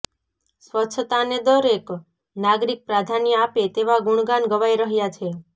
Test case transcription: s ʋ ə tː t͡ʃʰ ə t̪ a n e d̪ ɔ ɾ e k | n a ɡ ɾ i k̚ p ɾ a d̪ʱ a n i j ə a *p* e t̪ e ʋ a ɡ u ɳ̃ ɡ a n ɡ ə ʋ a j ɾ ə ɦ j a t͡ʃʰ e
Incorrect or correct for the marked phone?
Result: correct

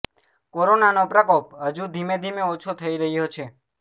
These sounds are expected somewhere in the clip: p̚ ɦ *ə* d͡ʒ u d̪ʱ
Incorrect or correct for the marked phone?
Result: correct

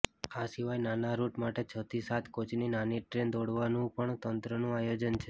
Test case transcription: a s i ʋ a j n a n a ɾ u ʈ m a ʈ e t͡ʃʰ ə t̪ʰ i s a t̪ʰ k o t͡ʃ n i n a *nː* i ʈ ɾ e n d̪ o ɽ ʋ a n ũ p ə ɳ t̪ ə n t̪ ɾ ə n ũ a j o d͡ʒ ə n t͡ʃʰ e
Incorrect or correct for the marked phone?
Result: incorrect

